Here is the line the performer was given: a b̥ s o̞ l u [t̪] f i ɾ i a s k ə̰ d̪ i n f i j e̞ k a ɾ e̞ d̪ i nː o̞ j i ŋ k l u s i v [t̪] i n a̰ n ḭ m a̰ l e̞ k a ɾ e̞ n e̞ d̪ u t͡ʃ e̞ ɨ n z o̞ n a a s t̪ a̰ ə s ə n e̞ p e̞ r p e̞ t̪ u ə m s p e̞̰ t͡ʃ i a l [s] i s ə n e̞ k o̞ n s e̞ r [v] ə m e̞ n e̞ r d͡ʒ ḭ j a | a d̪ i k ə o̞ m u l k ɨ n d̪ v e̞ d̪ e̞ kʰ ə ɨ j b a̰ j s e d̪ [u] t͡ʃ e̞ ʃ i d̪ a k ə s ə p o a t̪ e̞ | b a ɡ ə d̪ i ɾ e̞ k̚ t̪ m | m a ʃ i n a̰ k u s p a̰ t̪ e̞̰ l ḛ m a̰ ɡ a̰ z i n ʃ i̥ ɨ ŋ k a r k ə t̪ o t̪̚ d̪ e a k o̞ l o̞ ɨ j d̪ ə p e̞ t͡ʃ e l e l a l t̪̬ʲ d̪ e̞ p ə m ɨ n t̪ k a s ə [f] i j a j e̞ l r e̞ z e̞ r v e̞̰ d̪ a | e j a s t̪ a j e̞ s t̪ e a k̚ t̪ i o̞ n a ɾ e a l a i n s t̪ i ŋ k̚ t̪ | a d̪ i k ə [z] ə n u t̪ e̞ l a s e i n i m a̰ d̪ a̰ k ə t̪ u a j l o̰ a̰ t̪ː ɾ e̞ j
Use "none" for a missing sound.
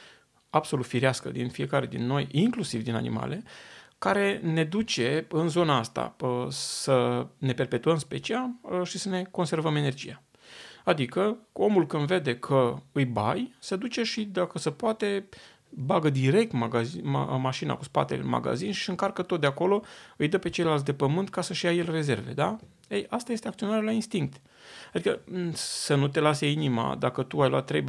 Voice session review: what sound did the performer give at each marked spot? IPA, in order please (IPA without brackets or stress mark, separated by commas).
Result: t̪, d̪, ʃ, v, u, ʃ, s